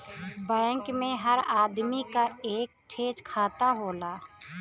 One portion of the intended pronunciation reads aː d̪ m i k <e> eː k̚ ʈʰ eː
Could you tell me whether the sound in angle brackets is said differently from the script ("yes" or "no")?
yes